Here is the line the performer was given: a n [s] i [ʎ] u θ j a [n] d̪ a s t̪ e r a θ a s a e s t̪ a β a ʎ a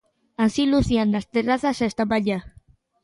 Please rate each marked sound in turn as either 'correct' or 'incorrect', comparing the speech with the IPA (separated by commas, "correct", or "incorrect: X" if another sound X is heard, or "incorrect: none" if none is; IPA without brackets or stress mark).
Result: correct, incorrect: l, correct